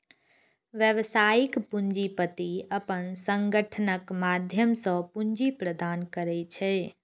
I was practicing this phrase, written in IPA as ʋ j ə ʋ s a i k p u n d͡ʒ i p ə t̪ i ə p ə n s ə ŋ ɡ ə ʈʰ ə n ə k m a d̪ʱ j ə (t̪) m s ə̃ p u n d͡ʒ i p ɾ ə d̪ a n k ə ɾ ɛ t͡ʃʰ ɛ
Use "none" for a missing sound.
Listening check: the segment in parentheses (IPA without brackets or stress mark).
none